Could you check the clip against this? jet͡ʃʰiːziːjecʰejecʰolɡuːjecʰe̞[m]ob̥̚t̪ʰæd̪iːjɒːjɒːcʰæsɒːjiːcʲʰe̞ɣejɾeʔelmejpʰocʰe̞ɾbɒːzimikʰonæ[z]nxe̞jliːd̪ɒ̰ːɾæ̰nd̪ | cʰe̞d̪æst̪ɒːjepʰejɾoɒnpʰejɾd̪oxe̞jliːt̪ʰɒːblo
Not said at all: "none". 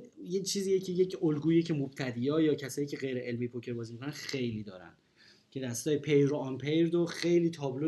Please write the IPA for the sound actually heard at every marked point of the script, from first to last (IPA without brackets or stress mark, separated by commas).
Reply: m, none